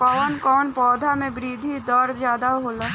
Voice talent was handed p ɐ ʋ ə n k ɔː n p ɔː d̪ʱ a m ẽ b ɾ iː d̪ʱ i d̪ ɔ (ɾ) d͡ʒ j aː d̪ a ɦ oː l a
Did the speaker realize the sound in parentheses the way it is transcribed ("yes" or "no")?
yes